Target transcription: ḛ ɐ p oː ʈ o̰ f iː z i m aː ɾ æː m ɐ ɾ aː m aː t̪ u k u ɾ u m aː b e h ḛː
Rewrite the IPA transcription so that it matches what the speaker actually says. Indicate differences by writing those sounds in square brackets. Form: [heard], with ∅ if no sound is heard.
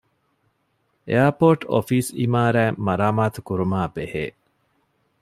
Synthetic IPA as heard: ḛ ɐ p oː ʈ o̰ f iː [s] i m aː ɾ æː m ɐ ɾ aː m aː t̪ u k u ɾ u m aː b e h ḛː